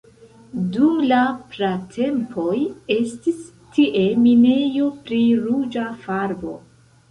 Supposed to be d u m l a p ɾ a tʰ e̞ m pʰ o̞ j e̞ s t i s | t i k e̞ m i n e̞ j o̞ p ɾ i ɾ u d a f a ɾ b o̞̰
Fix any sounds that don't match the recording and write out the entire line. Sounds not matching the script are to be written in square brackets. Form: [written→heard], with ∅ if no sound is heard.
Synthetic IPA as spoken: d u m l a p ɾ a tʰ e̞ m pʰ o̞ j e̞ s t i s | t i [k→ʔ] e̞ m i n e̞ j o̞ p ɾ i ɾ u [d→d͡ʒ] a f a ɾ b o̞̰